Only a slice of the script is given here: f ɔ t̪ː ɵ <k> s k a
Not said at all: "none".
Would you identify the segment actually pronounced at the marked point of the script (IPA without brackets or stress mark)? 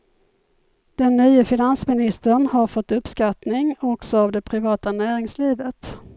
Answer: p